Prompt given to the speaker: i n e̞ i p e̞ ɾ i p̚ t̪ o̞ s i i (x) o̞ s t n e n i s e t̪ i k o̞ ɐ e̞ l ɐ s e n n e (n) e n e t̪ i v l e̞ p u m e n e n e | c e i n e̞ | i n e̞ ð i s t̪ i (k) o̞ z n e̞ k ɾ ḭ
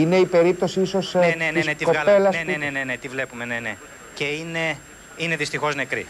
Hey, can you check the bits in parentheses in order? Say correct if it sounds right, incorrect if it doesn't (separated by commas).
incorrect, correct, incorrect